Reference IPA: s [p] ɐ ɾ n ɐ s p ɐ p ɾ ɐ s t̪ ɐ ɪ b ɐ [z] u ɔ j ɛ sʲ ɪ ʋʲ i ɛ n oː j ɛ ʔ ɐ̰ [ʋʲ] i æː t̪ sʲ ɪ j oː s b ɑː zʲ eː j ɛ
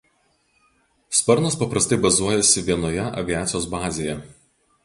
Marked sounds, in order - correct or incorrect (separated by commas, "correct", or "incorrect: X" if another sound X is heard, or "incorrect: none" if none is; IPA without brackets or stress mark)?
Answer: correct, correct, correct